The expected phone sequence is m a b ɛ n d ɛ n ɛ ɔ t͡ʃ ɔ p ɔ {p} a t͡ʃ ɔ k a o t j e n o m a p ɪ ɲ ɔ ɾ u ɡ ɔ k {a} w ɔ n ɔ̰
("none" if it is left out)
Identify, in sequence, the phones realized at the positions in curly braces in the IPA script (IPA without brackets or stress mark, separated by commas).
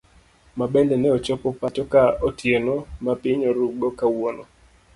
p, a